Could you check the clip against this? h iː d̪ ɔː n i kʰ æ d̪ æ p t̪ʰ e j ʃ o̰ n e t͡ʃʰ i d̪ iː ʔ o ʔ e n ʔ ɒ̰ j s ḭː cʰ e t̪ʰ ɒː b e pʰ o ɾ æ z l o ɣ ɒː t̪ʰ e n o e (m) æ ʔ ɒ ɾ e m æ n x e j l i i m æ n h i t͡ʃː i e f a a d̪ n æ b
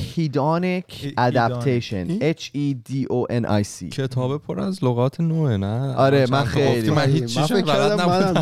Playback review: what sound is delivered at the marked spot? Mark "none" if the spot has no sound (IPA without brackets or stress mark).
n